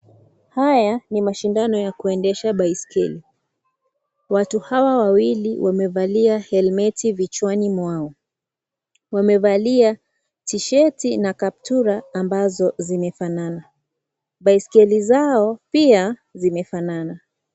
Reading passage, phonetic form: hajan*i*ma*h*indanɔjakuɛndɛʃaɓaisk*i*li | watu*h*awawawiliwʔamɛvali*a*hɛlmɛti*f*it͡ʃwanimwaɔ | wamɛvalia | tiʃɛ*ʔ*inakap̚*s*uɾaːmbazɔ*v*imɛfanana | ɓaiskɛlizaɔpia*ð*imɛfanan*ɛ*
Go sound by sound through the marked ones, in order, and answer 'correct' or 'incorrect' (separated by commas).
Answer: correct, incorrect, incorrect, correct, correct, incorrect, incorrect, incorrect, incorrect, incorrect, incorrect